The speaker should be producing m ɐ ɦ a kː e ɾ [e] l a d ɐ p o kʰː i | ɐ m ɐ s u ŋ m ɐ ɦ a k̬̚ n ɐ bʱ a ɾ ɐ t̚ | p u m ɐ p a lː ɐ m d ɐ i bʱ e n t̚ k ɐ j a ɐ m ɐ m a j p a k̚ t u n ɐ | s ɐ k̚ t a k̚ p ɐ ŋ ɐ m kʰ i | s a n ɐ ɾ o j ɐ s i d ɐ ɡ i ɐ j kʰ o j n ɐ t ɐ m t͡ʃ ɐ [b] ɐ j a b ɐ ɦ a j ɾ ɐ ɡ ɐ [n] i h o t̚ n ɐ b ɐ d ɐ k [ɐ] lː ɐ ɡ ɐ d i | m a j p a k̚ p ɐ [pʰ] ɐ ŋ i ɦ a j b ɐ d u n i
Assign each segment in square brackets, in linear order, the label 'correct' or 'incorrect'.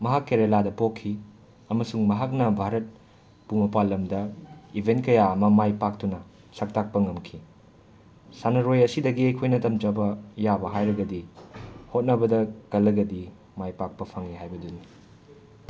correct, correct, incorrect: d, correct, correct

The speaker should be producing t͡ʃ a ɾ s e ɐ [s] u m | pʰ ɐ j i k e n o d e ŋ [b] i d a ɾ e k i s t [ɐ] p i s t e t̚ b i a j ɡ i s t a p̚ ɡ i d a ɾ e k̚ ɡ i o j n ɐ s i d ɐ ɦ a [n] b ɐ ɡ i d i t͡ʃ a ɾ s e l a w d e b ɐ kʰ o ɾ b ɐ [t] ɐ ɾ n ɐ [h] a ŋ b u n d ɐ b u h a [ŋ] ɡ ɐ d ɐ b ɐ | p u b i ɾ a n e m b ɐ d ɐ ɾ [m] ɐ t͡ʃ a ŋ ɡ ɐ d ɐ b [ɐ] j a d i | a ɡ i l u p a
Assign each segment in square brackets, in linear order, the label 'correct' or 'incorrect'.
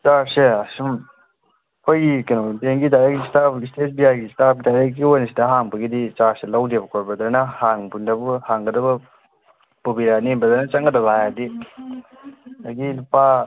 correct, incorrect: ɡ, incorrect: a, incorrect: ŋ, incorrect: d, correct, correct, incorrect: n, incorrect: a

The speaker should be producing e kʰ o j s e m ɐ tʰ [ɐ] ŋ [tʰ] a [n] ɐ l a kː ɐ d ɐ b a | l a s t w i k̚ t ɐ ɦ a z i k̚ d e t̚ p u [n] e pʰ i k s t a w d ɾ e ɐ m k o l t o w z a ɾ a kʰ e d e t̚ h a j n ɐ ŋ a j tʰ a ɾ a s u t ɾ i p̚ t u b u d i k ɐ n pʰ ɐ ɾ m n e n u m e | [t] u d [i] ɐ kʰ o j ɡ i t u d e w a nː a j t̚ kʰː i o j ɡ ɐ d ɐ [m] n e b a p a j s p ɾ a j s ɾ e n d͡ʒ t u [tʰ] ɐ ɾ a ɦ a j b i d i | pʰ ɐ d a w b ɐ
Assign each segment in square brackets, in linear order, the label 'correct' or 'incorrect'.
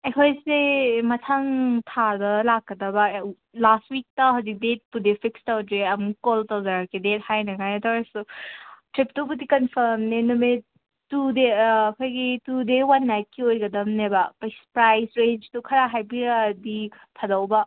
incorrect: a, correct, incorrect: d, incorrect: d, correct, incorrect: e, correct, incorrect: kʰ

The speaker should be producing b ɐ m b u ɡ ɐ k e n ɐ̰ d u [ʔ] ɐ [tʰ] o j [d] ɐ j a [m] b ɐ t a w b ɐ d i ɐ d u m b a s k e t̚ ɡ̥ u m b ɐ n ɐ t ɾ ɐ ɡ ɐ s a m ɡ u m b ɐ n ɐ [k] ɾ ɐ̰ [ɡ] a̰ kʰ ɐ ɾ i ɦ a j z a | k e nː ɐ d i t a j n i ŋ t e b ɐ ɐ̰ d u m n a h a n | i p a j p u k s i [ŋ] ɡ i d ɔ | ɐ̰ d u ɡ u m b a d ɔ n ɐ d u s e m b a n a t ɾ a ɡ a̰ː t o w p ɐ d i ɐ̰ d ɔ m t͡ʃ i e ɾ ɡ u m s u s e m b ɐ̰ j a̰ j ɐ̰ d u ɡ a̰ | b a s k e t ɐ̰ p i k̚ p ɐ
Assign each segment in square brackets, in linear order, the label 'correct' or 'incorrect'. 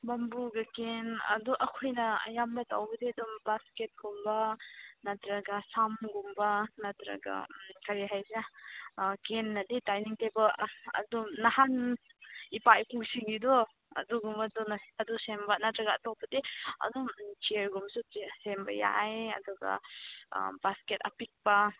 correct, incorrect: kʰ, incorrect: n, correct, incorrect: t, correct, correct

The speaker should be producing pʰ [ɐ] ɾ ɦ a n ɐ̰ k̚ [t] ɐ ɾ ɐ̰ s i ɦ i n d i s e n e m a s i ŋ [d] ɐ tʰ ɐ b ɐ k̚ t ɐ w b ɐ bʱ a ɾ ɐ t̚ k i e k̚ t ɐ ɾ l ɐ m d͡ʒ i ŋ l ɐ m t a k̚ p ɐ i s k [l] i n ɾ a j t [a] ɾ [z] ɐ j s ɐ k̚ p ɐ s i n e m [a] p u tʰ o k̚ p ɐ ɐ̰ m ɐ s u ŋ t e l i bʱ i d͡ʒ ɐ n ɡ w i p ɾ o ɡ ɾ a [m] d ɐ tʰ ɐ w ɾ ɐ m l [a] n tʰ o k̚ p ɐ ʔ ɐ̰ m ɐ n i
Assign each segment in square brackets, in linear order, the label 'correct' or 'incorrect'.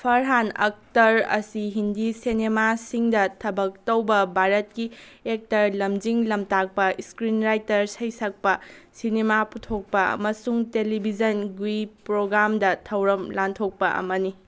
correct, correct, correct, incorrect: ɾ, incorrect: ɐ, incorrect: s, correct, correct, correct

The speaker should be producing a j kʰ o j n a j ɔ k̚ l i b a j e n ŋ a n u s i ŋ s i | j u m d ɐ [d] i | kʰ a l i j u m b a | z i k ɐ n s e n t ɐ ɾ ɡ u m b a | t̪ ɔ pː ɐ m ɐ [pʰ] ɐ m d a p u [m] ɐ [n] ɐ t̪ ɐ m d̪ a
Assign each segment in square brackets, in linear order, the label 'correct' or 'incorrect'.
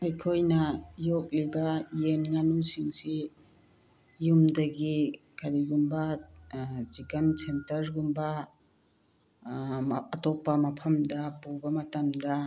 incorrect: ɡ, correct, incorrect: b, incorrect: m

